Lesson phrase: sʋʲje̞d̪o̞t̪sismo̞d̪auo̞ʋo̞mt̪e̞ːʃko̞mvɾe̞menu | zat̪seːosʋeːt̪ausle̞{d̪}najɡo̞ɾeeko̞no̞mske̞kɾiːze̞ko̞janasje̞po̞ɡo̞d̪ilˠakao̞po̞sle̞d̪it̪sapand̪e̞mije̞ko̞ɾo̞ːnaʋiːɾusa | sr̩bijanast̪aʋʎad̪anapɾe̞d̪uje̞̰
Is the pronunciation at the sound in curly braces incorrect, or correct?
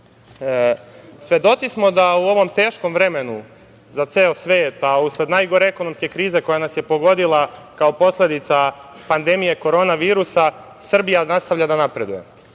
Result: correct